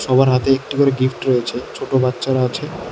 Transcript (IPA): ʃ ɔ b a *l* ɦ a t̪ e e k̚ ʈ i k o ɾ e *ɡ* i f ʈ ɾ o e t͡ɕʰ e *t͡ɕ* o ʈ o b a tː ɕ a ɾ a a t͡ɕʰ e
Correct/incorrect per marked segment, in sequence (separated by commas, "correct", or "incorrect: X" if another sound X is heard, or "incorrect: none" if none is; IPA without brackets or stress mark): incorrect: ɾ, correct, incorrect: t͡ɕʰ